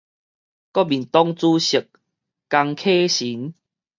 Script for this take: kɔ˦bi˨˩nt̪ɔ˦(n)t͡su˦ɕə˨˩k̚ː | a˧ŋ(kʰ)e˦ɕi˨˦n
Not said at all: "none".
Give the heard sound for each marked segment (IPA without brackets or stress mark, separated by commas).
ŋ, kʰ